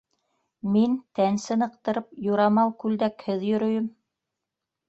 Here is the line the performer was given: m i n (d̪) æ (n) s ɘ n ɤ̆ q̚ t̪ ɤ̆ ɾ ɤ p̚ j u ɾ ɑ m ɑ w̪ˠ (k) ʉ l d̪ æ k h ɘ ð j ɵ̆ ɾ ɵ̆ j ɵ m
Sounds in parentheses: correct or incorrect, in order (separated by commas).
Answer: incorrect, correct, correct